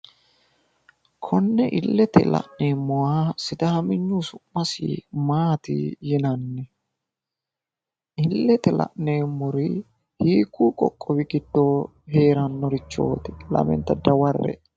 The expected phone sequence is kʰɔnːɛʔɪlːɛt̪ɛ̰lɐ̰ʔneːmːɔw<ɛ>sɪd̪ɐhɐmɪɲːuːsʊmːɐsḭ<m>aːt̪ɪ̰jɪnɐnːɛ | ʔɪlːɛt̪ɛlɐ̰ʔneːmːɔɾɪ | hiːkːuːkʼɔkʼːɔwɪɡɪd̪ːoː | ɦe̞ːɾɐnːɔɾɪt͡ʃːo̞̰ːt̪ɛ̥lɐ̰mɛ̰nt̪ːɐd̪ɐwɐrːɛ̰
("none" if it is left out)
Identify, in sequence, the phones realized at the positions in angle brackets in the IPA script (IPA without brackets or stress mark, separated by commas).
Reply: a, m